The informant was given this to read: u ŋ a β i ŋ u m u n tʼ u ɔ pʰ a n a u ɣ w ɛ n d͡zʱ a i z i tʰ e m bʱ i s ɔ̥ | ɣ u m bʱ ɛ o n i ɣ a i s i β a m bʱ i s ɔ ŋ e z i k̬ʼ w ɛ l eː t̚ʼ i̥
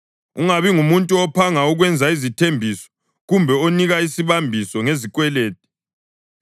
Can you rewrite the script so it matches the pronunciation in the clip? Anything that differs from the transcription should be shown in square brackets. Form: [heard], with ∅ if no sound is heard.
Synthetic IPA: u ŋ a β i ŋ u m u n tʼ u ɔ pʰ a [ŋ] a u ɣ w ɛ n d͡zʱ a i z i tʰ e m bʱ i s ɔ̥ | ɣ u m bʱ ɛ o n i ɣ a i s i β a m bʱ i s ɔ ŋ e z i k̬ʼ w ɛ l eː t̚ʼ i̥